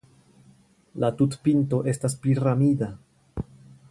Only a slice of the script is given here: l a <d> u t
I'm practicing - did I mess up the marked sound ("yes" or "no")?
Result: yes